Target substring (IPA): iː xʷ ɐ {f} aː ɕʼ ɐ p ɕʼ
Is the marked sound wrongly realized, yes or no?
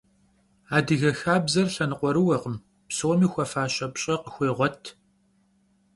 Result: no